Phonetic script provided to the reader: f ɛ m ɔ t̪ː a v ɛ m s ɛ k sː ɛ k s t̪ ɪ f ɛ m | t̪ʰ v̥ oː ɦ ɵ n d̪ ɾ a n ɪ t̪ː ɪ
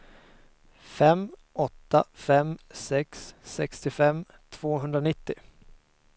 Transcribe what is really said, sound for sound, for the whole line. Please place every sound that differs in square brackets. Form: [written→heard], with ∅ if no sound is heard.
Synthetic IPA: f ɛ m ɔ t̪ː a [v→f] ɛ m s ɛ k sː ɛ k s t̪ ɪ f ɛ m | t̪ʰ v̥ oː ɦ ɵ n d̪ ɾ a n ɪ t̪ː ɪ